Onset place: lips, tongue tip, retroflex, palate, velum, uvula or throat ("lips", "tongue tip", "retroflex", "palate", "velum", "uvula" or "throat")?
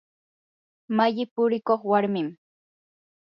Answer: lips